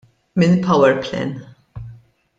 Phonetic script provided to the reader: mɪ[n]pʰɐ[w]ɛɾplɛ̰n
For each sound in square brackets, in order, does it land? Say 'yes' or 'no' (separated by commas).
yes, yes